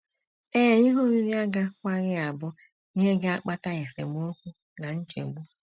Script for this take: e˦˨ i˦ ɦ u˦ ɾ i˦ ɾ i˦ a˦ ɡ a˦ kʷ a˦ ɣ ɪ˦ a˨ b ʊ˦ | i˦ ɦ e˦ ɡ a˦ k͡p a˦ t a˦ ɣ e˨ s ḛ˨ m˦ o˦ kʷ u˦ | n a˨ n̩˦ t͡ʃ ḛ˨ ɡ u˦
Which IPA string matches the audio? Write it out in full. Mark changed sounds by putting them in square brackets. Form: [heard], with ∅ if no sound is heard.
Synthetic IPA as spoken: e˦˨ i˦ ɦ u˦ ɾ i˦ ɾ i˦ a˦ ɡ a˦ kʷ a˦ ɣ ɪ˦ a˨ b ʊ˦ | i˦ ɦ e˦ ɡ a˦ k͡p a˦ t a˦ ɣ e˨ s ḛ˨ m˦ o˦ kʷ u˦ | n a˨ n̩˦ t͡ʃ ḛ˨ [ɡ͡b] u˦